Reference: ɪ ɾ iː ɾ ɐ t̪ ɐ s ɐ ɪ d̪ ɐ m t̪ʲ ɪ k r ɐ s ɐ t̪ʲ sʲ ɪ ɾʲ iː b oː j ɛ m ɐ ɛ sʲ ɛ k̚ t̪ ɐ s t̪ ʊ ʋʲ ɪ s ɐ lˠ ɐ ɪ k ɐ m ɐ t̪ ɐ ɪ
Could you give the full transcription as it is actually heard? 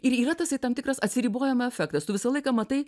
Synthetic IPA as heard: ɪ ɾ iː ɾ ɐ t̪ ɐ s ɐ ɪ t̪ ɐ m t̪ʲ ɪ k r ɐ s ɐ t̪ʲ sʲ ɪ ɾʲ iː b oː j ɛ m ɐ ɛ fʲ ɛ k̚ t̪ ɐ s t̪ ʊ ʋʲ ɪ s ɐ lˠ ɐ ɪ k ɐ m ɐ t̪ ɐ ɪ